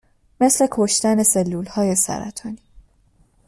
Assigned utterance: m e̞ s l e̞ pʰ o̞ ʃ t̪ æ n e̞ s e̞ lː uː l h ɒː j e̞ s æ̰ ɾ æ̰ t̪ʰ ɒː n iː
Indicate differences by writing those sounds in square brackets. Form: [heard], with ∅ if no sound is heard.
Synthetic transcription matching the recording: m e̞ s l e̞ [kʰ] o̞ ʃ t̪ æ n e̞ s e̞ lː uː l h ɒː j e̞ s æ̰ ɾ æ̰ t̪ʰ ɒː n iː